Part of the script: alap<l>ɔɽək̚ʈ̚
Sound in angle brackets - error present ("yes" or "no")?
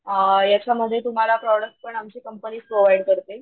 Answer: yes